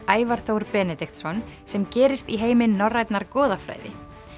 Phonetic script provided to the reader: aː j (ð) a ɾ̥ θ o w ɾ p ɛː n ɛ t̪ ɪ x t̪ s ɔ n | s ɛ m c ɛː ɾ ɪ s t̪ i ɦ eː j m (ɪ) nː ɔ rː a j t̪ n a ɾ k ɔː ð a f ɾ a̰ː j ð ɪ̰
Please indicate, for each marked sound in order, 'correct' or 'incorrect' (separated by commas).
incorrect, correct